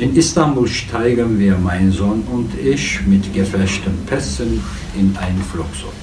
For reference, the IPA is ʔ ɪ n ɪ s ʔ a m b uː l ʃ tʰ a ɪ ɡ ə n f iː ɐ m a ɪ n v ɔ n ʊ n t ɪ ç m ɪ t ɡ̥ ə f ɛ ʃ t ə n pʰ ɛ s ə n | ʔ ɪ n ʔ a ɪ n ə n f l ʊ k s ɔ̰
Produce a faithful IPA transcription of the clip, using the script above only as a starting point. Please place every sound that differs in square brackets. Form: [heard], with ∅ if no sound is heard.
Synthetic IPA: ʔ ɪ n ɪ s [t] a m b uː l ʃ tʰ a ɪ ɡ ə n [v] iː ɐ m a ɪ n [z] ɔ n ʊ n t ɪ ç m ɪ t ɡ̥ ə f ɛ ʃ t ə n pʰ ɛ s ə n | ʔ ɪ n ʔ a ɪ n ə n f l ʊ k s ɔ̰